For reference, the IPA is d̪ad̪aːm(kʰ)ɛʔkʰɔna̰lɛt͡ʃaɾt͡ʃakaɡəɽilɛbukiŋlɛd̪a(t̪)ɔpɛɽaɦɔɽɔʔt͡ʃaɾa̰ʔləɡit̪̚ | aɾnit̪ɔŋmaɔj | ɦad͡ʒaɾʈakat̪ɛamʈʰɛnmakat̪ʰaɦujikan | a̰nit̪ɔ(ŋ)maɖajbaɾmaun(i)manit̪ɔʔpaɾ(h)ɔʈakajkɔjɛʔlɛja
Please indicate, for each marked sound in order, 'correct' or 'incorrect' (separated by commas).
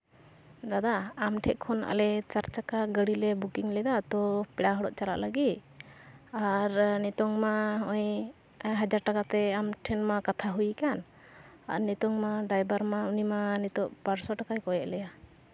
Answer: incorrect, correct, correct, correct, incorrect